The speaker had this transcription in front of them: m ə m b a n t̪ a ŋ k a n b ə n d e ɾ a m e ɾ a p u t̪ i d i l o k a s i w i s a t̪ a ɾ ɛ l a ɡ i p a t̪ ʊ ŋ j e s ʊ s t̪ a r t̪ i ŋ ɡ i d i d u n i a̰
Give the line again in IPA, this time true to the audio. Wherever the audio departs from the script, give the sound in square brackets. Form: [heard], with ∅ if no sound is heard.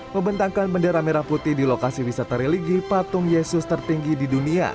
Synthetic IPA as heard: m ə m b [ə] n t̪ a ŋ k a n b ə n d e ɾ a m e ɾ a p u t̪ i d i l o k a s i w i s a t̪ a ɾ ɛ l [i] ɡ i p a t̪ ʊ ŋ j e s ʊ s t̪ [ə] r t̪ i ŋ ɡ i d i d u n i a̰